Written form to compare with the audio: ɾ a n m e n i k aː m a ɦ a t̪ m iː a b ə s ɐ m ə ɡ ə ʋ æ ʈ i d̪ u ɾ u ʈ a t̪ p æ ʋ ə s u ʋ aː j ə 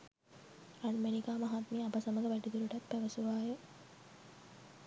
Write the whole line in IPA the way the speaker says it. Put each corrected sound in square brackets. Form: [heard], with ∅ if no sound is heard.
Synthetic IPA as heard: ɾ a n m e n i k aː m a ɦ a t̪ m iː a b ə s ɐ m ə ɡ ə ʋ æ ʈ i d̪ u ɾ u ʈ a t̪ p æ ʋ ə s u ʋ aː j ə